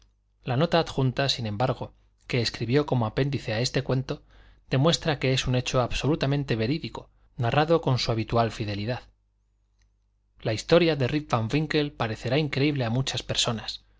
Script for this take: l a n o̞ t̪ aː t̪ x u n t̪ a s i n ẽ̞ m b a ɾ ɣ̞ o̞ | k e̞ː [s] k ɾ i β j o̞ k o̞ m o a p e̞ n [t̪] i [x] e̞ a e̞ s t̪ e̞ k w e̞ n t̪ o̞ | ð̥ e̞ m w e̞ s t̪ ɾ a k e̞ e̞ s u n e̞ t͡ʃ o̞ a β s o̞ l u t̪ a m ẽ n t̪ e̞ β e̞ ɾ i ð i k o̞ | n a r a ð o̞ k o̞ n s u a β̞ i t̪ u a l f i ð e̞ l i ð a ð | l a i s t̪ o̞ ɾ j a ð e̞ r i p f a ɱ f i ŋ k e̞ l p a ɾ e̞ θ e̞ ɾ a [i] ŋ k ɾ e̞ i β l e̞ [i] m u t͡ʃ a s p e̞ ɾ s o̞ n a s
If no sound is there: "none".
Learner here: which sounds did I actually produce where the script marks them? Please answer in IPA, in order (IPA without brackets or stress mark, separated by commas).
s, d̪, θ, i, a